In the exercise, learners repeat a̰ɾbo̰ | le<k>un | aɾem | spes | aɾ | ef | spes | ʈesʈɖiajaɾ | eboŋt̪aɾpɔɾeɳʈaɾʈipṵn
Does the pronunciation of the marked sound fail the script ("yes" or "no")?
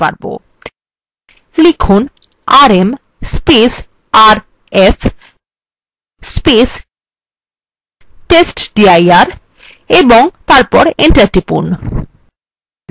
yes